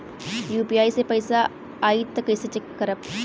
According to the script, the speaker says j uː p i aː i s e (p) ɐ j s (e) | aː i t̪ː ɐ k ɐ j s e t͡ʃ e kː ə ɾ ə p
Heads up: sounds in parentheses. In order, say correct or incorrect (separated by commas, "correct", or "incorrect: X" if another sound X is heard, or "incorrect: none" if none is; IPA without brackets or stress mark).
correct, incorrect: a